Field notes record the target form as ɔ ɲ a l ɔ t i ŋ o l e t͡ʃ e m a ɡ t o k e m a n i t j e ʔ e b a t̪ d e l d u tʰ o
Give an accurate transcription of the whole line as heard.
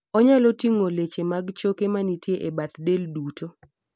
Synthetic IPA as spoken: ɔ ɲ a l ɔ t i ŋ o l e t͡ʃ e m a ɡ t͡ʃ o k e m a n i t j e ʔ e b a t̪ d e l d u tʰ o

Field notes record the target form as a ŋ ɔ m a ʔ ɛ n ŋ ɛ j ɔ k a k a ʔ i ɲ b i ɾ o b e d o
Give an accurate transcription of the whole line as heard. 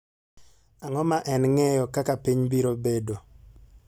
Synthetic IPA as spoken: a ŋ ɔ m a ʔ ɛ n ŋ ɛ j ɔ k a k a p i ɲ b i ɾ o b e d o

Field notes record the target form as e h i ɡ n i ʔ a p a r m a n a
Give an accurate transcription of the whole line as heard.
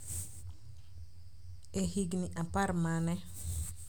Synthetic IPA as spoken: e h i ɡ n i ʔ a p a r m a n ɛ

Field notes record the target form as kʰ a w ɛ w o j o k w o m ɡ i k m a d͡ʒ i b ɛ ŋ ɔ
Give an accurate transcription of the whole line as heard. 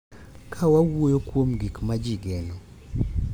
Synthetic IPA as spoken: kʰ a w a w o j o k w o m ɡ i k m a d͡ʒ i ɡ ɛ n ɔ

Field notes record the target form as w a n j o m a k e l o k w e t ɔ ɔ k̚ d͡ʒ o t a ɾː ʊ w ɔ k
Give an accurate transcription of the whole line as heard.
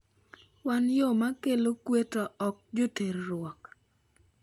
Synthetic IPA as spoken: w a n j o m a k e l o k w e t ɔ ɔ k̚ d͡ʒ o t e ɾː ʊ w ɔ k

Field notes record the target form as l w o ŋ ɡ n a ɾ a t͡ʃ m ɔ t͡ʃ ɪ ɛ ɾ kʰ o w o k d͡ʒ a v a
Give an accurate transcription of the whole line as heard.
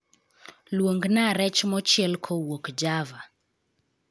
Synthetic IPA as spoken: l w o ŋ ɡ n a ɾ ɛ t͡ʃ m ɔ t͡ʃ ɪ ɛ l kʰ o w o k d͡ʒ a v a

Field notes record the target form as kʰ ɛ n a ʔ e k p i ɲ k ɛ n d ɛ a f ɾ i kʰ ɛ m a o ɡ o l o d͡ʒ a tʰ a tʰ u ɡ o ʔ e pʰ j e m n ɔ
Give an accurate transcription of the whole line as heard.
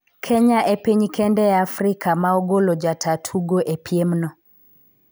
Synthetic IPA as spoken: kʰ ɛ ɲ a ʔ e p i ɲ k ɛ n d ɛ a f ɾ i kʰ a m a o ɡ o l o d͡ʒ a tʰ a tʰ u ɡ o ʔ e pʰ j e m n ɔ

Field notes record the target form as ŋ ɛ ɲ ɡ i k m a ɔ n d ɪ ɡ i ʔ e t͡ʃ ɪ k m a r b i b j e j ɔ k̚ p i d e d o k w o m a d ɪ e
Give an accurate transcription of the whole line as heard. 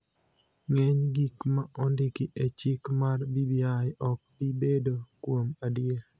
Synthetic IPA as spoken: ŋ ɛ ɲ ɡ i k m a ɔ n d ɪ k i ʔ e t͡ʃ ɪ k m a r b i b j a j ɔ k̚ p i b e d o k w o m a d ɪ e

